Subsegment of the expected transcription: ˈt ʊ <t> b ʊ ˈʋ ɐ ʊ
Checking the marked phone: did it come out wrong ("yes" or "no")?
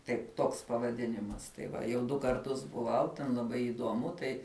yes